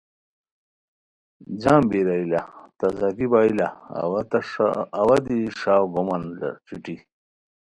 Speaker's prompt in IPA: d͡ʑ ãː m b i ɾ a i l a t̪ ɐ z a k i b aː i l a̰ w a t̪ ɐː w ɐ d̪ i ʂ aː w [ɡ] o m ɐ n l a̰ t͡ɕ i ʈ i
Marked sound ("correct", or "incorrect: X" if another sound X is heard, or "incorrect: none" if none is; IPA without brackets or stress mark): correct